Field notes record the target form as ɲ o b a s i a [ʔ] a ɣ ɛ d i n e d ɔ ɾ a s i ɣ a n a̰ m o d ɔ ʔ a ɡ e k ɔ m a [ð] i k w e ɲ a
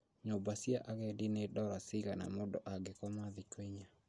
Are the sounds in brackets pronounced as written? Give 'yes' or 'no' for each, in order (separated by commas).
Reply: yes, yes